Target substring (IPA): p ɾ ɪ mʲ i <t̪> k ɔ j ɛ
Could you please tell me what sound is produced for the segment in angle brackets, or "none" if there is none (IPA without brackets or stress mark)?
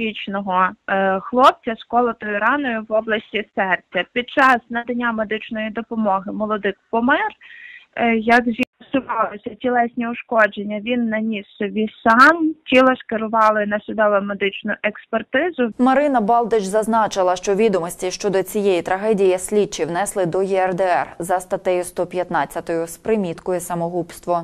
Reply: t̪